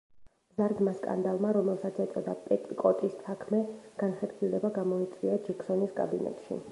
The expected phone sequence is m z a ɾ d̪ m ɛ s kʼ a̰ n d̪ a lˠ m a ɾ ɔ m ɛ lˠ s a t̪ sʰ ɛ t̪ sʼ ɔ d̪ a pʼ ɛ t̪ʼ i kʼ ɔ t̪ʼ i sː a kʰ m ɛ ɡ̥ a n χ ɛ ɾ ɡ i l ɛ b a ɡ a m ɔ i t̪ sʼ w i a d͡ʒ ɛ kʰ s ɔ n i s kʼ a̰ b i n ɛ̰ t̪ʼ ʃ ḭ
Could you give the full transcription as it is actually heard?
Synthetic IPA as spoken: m z a ɾ d̪ m a s kʼ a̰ n d̪ a lˠ m a ɾ ɔ m ɛ lˠ s a t̪ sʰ ɛ t̪ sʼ ɔ d̪ a pʼ ɛ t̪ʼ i kʼ ɔ t̪ʼ i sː a kʰ m ɛ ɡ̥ a n χ ɛ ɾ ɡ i l ɛ b a ɡ a m ɔ i t̪ sʼ w i a d͡ʒ ɛ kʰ s ɔ n i s kʼ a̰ b i n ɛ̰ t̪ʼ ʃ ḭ